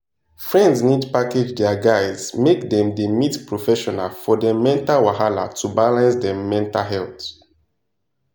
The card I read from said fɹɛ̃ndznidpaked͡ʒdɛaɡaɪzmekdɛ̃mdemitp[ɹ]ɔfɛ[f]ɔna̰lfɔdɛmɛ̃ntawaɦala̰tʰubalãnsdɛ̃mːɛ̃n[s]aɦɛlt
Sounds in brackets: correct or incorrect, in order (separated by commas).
correct, incorrect, incorrect